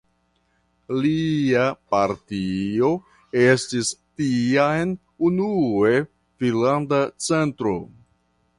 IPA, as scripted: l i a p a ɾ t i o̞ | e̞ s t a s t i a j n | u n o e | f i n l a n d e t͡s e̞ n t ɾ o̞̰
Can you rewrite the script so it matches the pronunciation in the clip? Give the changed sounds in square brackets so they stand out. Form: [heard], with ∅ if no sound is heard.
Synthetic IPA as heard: l i a p a ɾ t i o̞ | e̞ s t [i] s t i a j n | u n [u] e | f i n l a n d [a] t͡s e̞ n t ɾ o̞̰